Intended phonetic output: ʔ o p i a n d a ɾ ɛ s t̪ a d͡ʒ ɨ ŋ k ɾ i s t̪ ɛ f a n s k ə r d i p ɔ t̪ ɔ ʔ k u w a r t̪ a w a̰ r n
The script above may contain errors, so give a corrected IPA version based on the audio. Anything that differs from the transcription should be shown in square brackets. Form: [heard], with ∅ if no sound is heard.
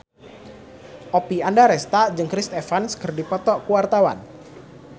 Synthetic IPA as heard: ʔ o p i a n d a ɾ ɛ s t̪ a d͡ʒ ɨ ŋ k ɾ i s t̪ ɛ f a n s k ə r d i p ɔ t̪ ɔ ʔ k u w a r t̪ a w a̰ [∅] n